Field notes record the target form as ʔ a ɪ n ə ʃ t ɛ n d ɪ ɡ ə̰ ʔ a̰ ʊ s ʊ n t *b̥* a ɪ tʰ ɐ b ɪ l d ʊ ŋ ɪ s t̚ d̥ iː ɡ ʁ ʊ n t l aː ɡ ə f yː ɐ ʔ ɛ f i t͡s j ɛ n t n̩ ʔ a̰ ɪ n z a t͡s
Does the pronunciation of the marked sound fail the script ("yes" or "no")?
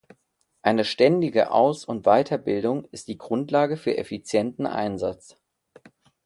yes